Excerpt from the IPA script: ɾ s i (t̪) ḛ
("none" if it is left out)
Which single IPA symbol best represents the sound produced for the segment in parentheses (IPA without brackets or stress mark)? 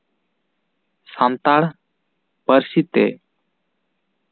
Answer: t̪